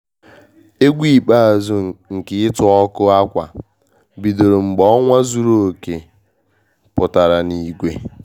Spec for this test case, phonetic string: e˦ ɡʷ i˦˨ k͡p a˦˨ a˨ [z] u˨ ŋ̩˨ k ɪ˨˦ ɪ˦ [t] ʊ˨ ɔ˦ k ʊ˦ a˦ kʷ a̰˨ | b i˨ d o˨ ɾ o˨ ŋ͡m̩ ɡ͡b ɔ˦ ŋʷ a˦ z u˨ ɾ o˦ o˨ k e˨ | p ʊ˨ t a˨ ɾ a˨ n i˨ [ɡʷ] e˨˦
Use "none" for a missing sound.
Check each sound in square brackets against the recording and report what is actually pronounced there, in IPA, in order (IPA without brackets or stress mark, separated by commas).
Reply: z, t, ɡʷ